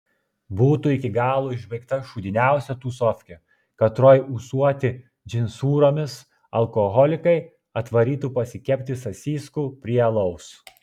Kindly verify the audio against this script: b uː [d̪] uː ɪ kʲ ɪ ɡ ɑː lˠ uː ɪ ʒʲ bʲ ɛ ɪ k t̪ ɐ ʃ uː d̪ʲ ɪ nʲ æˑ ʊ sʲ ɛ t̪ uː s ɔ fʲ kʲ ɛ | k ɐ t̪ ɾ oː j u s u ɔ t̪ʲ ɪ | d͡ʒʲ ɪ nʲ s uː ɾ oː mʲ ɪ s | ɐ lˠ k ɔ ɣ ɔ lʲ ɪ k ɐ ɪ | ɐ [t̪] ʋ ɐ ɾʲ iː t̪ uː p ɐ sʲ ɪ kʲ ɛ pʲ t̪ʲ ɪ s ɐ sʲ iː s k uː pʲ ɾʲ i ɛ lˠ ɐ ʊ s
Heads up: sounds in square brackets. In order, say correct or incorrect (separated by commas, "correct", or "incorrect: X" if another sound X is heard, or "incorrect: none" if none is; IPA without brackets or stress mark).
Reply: incorrect: t̪, correct